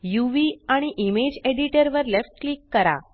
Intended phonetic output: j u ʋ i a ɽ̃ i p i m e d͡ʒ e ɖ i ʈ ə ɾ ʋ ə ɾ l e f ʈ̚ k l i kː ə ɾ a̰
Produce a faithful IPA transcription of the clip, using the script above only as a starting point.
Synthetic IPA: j u ʋ i a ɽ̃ i ʔ i m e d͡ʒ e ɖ i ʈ ə ɾ ʋ ə ɾ l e f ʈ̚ k l i kː ə ɾ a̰